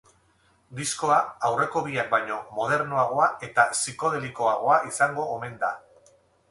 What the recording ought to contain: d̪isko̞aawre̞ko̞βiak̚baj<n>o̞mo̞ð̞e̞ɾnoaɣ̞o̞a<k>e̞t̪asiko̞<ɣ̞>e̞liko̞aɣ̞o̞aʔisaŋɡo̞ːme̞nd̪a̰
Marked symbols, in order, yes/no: no, no, no

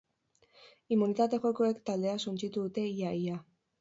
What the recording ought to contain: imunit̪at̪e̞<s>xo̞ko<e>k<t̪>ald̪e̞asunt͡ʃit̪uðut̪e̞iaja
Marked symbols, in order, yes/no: no, yes, yes

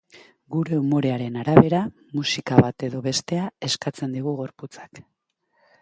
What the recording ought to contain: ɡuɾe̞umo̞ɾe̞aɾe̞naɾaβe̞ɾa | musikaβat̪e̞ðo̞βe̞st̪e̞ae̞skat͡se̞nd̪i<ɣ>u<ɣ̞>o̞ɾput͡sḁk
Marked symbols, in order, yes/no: yes, yes

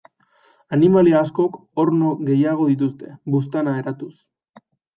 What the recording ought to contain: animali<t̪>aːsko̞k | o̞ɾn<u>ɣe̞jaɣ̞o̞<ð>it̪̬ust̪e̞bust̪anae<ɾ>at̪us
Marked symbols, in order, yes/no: no, no, yes, yes

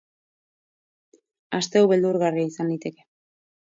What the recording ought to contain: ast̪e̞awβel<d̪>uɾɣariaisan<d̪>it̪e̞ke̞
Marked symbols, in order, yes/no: yes, yes

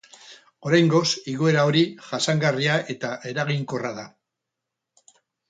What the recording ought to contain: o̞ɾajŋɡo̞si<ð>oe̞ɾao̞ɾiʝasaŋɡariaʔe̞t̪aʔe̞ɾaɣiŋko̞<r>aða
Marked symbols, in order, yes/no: no, yes

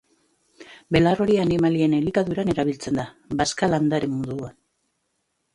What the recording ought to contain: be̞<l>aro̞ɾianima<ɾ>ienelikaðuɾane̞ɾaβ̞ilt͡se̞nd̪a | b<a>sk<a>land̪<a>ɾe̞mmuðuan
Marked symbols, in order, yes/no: yes, no, yes, yes, yes

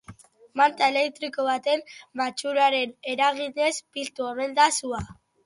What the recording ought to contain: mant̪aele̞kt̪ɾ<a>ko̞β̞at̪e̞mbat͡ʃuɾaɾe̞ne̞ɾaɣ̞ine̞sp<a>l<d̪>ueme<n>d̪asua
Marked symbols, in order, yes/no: no, no, no, yes

